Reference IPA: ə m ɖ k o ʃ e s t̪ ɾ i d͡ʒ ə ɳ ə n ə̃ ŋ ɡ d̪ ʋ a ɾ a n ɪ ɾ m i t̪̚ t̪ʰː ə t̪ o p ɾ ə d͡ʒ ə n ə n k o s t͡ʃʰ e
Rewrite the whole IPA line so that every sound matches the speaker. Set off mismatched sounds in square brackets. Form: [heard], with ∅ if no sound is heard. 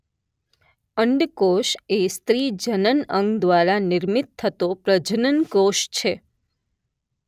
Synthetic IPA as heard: ə [ɳ] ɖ k o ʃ e s t̪ ɾ i d͡ʒ ə [n] ə n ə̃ ŋ ɡ d̪ ʋ a ɾ a n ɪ ɾ m i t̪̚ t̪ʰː ə t̪ o p ɾ ə d͡ʒ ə n ə n k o [ʃ] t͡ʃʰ e